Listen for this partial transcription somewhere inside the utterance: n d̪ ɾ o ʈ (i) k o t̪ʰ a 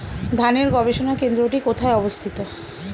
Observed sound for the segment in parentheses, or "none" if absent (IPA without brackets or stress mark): i